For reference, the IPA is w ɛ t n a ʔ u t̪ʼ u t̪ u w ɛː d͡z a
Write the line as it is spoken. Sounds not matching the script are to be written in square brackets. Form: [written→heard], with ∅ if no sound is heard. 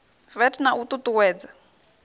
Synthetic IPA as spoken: [w→v] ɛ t n a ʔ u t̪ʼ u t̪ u w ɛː d͡z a